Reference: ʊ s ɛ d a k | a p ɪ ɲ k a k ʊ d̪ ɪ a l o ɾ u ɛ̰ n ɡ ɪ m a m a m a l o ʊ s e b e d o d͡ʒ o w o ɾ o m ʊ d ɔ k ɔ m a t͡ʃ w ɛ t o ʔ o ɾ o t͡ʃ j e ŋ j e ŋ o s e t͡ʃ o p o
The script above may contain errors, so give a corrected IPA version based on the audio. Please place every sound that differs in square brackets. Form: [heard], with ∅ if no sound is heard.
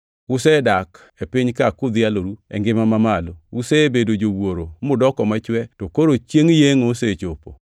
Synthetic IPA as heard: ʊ s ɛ d a k | [e] p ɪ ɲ k a k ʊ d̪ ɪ a l o ɾ u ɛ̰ [ŋ] ɡ ɪ m a m a m a l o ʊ s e b e d o d͡ʒ o w o ɾ o m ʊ d ɔ k ɔ m a t͡ʃ w ɛ t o [k] o ɾ o t͡ʃ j e ŋ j e ŋ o s e t͡ʃ o p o